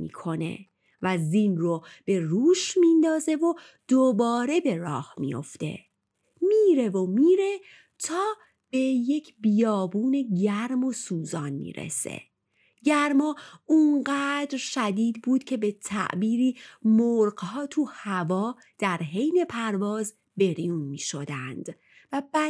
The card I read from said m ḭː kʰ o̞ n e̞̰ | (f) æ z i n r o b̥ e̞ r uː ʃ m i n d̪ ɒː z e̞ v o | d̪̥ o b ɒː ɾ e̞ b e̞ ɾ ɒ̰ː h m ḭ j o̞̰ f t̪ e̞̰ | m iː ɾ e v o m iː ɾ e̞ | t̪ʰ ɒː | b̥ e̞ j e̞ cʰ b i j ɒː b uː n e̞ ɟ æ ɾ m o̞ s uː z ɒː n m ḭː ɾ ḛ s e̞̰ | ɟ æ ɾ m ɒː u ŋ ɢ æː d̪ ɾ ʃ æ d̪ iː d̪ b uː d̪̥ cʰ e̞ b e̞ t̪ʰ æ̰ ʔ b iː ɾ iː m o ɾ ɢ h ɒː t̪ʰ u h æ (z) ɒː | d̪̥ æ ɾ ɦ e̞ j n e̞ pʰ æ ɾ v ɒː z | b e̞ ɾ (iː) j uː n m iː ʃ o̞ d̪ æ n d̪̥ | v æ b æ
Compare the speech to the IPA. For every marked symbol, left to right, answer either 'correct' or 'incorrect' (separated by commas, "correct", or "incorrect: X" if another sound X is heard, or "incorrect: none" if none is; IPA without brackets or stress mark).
incorrect: v, incorrect: v, incorrect: i